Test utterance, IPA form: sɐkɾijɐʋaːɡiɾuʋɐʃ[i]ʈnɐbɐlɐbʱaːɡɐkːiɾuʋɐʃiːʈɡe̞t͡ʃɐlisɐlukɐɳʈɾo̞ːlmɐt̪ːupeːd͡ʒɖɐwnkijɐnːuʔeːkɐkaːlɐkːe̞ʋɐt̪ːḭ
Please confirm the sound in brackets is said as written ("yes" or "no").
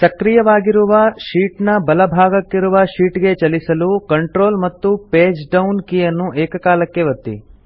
no